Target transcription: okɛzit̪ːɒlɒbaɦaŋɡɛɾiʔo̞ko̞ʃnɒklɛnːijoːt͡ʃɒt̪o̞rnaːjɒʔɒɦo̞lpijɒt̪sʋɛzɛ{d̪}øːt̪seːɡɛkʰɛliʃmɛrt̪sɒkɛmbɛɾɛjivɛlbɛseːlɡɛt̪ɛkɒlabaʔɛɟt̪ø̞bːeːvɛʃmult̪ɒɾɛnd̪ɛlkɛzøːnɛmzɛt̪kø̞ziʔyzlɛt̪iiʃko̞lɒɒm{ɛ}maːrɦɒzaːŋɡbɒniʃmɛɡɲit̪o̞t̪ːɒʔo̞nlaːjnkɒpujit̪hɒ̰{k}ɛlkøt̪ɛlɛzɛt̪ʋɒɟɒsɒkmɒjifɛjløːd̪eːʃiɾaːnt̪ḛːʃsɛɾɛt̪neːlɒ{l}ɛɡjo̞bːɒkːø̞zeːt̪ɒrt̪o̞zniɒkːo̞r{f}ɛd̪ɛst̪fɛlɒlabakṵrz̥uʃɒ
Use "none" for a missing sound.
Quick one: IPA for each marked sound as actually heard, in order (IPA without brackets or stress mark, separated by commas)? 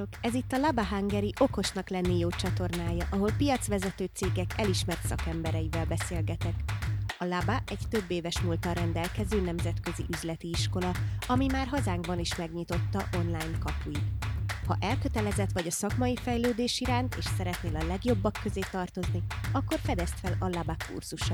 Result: t̪, i, ʔ, l, f